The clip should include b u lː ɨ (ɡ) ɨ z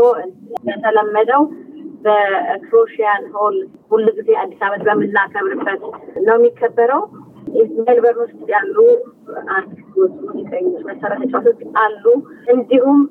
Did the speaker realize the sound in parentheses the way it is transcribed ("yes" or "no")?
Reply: yes